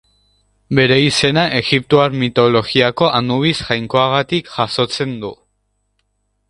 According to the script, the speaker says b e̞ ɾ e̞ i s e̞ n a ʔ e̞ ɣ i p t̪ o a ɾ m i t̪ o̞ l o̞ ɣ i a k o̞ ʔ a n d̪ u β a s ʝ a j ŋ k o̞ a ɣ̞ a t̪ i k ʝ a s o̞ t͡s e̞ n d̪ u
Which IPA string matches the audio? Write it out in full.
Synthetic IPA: b e̞ ɾ e̞ i s e̞ n a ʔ e̞ ɣ i p t̪ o a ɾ m i t̪ o̞ l o̞ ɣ i a k o̞ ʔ a n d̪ u β i s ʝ a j ŋ k o̞ a ɣ̞ a t̪ i k ʝ a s o̞ t͡s e̞ n d̪ u